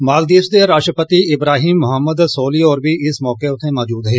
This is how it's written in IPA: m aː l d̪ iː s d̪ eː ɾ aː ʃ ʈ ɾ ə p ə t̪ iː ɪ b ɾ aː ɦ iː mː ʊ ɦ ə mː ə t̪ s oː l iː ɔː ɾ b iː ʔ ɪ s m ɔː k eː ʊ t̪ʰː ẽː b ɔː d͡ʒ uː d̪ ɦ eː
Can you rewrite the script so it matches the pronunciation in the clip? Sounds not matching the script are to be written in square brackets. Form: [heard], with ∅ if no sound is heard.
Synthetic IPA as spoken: m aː l d̪ iː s d̪ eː ɾ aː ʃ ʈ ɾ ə p ə t̪ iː ɪ b ɾ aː ɦ iː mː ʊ ɦ ə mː ə [d̪] s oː l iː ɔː ɾ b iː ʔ ɪ s m ɔː k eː ʊ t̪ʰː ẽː [m] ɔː d͡ʒ uː d̪ ɦ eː